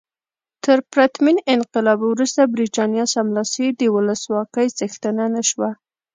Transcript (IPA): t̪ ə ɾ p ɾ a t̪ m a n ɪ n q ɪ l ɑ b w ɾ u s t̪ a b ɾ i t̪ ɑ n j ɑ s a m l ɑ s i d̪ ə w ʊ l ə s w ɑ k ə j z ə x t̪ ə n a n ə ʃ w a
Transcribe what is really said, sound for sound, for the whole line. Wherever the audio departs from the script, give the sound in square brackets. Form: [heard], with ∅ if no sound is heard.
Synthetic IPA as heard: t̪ ə ɾ p ɾ a t̪ m [i] n ɪ n q ɪ l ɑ b w ɾ u s t̪ a b ɾ i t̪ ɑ n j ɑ s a m l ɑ s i d̪ ə w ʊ l ə s w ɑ k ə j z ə x t̪ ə n a n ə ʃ w a